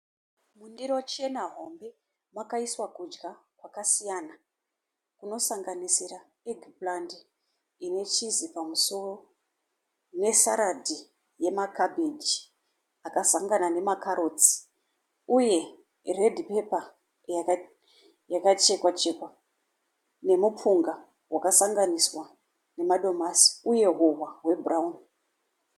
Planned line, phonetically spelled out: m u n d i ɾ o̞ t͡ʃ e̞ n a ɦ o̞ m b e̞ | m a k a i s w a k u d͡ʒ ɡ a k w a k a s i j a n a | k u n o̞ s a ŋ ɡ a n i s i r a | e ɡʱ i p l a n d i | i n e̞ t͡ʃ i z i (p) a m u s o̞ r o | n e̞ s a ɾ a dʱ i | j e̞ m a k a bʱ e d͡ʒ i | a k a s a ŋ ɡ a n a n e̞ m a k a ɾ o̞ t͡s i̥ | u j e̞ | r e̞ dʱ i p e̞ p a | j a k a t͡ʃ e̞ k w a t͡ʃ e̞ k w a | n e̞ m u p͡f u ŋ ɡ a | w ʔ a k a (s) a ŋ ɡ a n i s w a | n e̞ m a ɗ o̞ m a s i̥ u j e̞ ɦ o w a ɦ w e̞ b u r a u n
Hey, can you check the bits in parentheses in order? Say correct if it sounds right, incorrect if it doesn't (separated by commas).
correct, correct